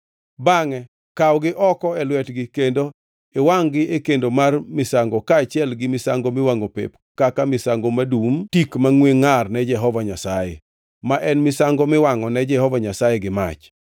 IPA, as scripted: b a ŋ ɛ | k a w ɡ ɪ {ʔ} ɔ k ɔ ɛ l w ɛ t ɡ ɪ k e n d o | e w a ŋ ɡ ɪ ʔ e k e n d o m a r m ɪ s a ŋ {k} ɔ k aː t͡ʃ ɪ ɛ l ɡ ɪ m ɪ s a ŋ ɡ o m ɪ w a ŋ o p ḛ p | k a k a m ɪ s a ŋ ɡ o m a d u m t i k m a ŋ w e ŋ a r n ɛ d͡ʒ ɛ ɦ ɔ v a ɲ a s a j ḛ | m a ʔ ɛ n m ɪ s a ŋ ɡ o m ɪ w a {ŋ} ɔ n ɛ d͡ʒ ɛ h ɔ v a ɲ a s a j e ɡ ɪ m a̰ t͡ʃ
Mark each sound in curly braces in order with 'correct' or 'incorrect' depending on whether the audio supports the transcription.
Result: correct, incorrect, correct

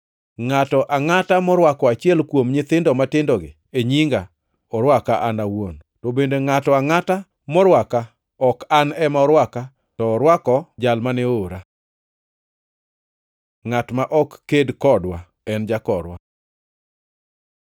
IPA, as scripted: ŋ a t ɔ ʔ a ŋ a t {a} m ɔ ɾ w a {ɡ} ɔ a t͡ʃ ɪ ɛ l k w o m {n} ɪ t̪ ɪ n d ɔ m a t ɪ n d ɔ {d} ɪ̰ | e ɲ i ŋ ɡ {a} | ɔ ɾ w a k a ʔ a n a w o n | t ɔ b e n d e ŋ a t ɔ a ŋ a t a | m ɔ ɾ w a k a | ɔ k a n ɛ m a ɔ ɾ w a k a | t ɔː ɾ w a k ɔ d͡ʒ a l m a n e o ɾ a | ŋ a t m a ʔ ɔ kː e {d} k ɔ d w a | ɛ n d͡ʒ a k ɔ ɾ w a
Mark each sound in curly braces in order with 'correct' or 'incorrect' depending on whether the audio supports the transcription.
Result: correct, incorrect, incorrect, incorrect, correct, correct

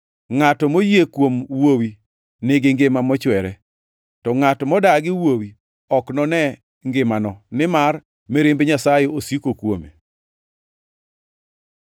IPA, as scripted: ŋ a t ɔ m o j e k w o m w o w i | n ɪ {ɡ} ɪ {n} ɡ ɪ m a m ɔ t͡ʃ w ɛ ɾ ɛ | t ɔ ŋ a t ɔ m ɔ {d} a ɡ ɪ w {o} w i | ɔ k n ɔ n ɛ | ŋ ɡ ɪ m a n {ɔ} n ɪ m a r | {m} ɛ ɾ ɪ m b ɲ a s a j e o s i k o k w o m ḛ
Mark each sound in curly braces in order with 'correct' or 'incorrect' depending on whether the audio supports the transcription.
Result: correct, incorrect, correct, correct, correct, correct

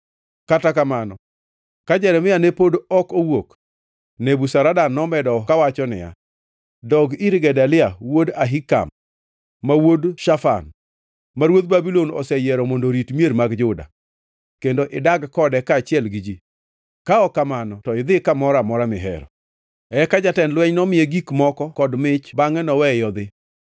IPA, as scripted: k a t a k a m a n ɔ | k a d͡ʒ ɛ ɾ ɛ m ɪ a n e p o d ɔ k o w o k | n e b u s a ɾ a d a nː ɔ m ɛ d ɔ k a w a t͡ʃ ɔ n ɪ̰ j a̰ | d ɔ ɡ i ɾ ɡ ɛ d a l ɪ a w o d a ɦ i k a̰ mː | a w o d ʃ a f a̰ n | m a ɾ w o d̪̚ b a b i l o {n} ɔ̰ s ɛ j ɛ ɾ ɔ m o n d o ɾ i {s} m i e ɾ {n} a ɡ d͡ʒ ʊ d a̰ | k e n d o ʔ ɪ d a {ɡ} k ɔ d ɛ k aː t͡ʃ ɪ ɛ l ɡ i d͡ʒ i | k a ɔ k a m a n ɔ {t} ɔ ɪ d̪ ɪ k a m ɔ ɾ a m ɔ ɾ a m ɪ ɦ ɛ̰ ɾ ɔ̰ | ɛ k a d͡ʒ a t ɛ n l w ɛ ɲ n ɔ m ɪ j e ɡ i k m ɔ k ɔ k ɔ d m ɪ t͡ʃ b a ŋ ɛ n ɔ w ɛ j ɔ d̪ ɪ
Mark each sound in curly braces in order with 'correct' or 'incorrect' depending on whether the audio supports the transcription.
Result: correct, incorrect, incorrect, correct, correct

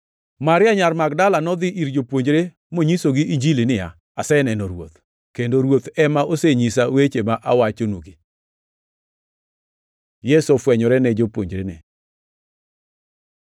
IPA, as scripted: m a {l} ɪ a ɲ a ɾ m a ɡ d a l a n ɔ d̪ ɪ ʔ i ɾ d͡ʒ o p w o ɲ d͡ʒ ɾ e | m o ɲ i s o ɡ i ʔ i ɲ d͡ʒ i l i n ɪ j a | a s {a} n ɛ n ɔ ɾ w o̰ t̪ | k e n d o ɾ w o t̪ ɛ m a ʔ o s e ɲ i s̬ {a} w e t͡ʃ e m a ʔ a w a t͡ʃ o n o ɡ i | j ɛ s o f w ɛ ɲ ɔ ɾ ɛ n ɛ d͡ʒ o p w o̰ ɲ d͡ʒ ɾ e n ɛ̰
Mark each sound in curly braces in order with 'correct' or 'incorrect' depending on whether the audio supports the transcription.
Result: incorrect, incorrect, correct

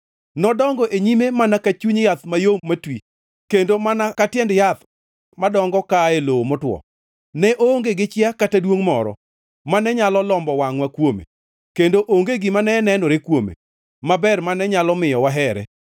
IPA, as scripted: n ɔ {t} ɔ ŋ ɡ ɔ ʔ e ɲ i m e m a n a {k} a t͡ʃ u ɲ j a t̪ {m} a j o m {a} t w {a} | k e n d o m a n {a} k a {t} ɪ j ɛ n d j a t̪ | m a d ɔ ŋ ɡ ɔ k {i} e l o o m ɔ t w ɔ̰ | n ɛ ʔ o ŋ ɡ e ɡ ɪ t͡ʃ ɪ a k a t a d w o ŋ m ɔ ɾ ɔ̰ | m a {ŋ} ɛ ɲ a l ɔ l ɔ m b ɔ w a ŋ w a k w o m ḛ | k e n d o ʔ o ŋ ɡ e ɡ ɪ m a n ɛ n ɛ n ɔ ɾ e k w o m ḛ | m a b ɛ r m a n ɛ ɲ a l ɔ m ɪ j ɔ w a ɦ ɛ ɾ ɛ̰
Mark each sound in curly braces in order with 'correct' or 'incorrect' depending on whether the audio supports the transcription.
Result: incorrect, correct, correct, correct, incorrect, correct, correct, incorrect, incorrect

